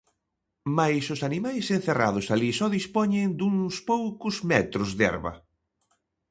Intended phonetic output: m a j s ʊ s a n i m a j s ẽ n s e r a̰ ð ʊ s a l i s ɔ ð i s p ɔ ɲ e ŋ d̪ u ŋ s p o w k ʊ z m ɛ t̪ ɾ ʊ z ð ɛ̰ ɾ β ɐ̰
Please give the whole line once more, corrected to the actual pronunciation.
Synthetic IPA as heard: m a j s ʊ s a n i m a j s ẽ n θ e r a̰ ð ʊ s a l i s ɔ ð i s p ɔ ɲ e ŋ d̪ u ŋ s p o w k ʊ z m ɛ t̪ ɾ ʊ z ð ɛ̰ ɾ β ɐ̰